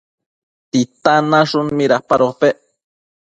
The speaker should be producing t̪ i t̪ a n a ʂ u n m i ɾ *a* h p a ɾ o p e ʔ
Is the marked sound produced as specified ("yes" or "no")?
yes